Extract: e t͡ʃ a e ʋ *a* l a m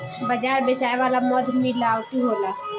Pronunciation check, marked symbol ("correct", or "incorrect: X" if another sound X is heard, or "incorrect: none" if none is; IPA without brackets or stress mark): correct